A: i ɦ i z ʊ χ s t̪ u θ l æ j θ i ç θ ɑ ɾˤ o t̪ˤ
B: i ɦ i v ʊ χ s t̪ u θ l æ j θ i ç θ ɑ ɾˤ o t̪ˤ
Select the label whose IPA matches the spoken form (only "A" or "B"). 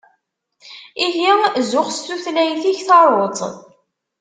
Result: A